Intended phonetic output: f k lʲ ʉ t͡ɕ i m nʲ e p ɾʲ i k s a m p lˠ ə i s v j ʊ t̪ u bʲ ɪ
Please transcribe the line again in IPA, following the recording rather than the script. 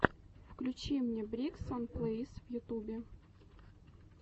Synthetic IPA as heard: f k lʲ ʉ t͡ɕ i m nʲ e b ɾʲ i k s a n p lˠ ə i s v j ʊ t̪ u bʲ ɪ